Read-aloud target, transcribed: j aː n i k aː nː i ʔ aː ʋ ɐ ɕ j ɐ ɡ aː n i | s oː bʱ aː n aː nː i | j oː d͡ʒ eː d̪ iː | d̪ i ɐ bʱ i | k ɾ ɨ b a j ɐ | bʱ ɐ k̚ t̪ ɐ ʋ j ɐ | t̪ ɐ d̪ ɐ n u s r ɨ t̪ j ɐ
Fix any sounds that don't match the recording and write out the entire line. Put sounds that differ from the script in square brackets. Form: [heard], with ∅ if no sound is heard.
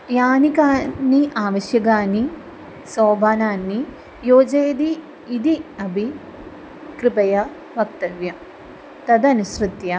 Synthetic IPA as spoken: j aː n i k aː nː i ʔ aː ʋ ɐ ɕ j ɐ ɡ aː n i | s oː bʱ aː n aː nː i | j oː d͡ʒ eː d̪ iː | d̪ i ɐ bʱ i | k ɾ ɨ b [ɐ] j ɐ | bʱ ɐ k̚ t̪ ɐ ʋ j ɐ | t̪ ɐ d̪ ɐ n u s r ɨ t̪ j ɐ